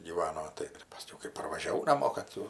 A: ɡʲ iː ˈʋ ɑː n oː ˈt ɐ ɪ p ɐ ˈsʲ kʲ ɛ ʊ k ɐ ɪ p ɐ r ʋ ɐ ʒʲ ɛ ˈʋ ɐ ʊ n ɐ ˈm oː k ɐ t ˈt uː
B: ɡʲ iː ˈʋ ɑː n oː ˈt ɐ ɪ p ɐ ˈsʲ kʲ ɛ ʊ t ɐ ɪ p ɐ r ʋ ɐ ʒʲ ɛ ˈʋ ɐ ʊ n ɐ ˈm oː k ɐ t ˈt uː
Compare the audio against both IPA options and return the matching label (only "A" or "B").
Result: A